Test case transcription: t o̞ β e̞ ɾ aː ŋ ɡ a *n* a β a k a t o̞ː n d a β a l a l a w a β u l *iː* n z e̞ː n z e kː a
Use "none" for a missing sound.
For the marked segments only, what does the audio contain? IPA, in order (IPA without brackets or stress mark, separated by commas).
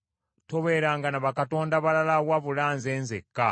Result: n, aː